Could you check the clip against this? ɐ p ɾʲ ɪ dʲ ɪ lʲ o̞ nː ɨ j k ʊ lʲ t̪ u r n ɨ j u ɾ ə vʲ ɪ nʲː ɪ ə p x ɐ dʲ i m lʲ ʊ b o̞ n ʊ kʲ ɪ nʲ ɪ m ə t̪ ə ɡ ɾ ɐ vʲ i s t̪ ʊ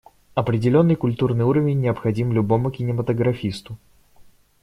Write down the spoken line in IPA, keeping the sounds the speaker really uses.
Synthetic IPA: ɐ p ɾʲ ɪ dʲ ɪ lʲ o̞ nː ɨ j k ʊ lʲ t̪ u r n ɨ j u ɾ ə vʲ ɪ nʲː ɪ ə p x ɐ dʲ i m lʲ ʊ b o̞ m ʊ kʲ ɪ nʲ ɪ m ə t̪ ə ɡ ɾ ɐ fʲ i s t̪ ʊ